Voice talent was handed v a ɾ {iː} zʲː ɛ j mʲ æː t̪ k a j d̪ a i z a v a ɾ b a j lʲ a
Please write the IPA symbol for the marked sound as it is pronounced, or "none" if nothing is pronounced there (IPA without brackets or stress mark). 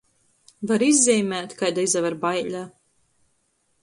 i